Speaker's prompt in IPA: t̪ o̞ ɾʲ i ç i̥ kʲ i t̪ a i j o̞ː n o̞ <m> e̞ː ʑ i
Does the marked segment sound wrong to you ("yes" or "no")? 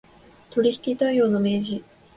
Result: no